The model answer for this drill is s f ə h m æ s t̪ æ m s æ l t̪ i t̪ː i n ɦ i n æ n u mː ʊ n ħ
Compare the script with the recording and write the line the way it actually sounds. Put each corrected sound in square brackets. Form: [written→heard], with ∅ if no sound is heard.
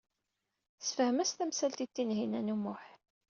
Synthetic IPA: s f ə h m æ s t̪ æ m s æ l t̪ i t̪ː i n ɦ i n æ n u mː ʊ [n→∅] ħ